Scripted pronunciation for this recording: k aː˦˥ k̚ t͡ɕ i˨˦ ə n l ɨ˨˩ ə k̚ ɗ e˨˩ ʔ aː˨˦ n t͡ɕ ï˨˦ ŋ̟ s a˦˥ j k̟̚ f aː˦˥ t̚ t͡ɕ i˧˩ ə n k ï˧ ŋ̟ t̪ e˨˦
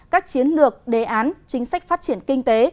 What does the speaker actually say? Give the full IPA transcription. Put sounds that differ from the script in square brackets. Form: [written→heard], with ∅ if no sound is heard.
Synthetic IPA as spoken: k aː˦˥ k̚ t͡ɕ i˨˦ ə n l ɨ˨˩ ə k̚ ɗ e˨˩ ʔ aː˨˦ n t͡ɕ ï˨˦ ŋ̟ s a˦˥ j k̟̚ f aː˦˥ t̚ t͡ɕ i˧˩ ə n k ï˧ ŋ̟ t̪ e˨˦